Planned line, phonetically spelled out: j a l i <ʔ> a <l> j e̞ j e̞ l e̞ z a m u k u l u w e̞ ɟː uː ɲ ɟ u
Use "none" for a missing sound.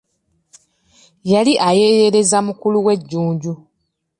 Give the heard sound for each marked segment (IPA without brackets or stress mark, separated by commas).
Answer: ʔ, none